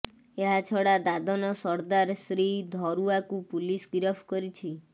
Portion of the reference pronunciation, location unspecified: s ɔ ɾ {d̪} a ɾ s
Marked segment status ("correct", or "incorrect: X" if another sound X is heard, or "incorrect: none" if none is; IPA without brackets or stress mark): correct